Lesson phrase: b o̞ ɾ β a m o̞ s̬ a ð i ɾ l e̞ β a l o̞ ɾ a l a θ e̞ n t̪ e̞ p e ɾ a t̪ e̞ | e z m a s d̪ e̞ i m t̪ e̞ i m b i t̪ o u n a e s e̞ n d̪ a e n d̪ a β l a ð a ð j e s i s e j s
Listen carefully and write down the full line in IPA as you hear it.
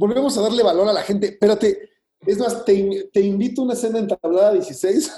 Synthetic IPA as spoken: b o̞ l β e m o̞ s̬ a ð a ɾ l e̞ β a l o̞ ɾ a l a x e̞ n t̪ e̞ p e ɾ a t̪ e̞ | e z m a s t̪ e̞ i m t̪ e̞ i m b i t̪ o u n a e s e̞ n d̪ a e n t̪ a β l a ð a ð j e s i s e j s